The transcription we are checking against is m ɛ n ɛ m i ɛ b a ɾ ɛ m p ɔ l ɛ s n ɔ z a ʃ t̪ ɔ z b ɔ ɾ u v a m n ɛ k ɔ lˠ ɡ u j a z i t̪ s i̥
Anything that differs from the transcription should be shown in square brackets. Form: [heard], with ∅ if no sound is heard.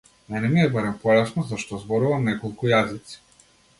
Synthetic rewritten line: m ɛ n ɛ m i ɛ b a ɾ ɛ m p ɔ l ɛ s n ɔ z a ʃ t̪ ɔ z b ɔ ɾ u v a m n ɛ k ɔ lˠ [k] u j a z i t̪ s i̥